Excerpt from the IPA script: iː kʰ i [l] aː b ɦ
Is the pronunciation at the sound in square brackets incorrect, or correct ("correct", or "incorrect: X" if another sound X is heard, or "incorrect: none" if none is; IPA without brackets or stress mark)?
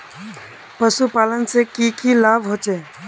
correct